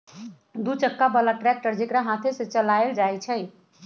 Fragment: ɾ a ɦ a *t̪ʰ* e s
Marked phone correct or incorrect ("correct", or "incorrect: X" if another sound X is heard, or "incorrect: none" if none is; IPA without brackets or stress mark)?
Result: correct